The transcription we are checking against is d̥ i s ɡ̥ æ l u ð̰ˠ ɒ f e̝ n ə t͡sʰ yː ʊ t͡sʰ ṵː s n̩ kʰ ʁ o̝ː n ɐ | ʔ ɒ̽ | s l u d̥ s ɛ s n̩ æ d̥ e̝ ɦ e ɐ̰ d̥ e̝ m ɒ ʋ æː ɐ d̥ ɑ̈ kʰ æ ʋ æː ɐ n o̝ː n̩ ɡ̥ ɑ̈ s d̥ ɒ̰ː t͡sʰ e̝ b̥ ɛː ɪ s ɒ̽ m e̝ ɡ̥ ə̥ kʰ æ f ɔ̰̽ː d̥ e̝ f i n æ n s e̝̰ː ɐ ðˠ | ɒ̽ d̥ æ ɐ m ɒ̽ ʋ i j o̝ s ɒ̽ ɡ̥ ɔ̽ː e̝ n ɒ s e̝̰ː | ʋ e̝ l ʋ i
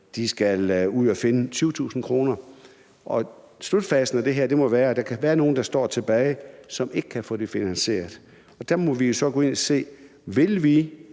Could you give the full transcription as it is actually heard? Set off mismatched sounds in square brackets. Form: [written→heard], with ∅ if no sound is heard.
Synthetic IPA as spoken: d̥ i s ɡ̥ æ l u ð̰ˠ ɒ f e̝ n ə t͡sʰ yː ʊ t͡sʰ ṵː s n̩ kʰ ʁ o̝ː n ɐ | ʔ ɒ̽ | s l u d̥ [s→f] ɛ s n̩ æ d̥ e̝ ɦ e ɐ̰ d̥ e̝ m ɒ ʋ æː ɐ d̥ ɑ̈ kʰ æ ʋ æː ɐ n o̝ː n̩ [ɡ̥→d̥] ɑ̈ s d̥ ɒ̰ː t͡sʰ e̝ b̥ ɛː ɪ s ɒ̽ m e̝ ɡ̥ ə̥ kʰ æ f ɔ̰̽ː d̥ e̝ f i n æ n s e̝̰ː ɐ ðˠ | ɒ̽ d̥ æ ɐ m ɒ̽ ʋ i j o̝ s ɒ̽ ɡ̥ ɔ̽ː e̝ n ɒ s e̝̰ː | ʋ e̝ l ʋ i